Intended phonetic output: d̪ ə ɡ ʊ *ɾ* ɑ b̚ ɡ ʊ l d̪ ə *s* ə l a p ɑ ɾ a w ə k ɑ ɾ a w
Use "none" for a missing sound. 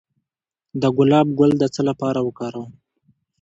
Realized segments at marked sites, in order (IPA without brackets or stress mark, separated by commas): l, t͡s